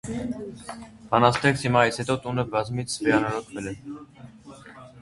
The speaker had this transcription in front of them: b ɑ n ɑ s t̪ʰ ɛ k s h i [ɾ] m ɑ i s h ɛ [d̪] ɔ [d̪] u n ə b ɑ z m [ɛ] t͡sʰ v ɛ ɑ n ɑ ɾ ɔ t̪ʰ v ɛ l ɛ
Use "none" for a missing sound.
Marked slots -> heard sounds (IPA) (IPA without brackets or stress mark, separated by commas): none, t̪, t̪, i